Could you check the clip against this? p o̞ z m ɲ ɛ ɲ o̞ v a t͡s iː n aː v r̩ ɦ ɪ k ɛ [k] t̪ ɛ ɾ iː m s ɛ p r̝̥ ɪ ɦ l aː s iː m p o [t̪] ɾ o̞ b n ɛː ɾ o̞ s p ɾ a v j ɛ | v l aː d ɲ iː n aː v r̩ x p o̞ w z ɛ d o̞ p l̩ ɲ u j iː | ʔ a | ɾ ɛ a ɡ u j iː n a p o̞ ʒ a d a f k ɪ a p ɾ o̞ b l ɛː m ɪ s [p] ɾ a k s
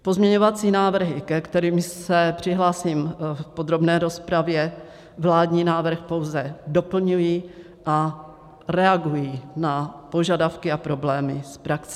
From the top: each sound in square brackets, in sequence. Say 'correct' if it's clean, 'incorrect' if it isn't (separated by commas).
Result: correct, incorrect, correct